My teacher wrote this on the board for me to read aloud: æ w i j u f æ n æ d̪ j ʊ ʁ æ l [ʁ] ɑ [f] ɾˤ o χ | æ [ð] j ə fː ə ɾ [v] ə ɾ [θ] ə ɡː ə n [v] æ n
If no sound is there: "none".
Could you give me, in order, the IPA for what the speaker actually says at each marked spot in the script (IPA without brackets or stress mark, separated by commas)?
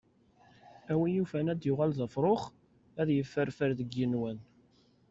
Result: ð, f, ð, f, ð, w